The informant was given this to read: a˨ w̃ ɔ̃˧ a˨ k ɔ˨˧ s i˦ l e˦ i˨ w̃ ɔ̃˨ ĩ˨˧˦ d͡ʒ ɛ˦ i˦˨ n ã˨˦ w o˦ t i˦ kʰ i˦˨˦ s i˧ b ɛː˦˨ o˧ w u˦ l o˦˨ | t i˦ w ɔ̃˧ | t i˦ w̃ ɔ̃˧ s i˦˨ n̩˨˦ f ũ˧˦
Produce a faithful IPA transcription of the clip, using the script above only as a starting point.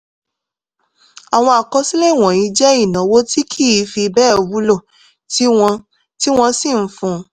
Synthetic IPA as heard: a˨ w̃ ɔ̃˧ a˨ k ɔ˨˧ s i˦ l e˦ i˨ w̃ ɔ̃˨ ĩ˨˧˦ d͡ʒ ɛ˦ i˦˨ n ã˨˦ w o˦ t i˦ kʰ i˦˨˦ f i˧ b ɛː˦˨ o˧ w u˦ l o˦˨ | t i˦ w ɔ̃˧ | t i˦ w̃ ɔ̃˧ s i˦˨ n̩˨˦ f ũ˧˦